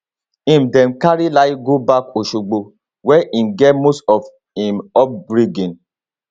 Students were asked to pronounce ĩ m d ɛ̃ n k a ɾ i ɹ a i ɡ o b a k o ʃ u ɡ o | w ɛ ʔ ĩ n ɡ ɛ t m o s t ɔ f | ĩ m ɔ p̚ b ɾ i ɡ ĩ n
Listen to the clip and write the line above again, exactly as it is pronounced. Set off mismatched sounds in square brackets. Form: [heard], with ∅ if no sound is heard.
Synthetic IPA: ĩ m d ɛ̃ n k a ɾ i [l] a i ɡ o b a k o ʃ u [ɡ͡b] o | w ɛ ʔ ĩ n ɡ ɛ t m o s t ɔ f | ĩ m ɔ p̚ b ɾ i ɡ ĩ n